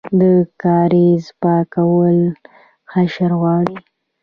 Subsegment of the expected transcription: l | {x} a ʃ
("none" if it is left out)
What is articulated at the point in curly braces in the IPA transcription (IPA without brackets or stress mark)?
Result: x